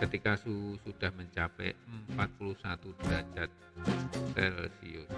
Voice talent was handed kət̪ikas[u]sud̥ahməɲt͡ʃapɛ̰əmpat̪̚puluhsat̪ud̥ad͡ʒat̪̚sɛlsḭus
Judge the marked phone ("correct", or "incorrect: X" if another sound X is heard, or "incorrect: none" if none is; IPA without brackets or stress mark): correct